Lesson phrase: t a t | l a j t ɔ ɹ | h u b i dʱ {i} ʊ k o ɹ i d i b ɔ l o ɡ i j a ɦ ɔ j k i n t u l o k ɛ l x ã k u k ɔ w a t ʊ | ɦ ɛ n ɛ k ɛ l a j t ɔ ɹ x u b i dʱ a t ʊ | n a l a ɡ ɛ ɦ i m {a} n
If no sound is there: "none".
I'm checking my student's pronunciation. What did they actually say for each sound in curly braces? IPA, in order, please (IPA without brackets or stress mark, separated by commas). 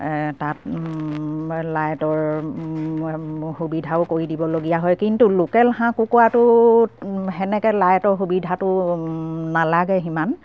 a, a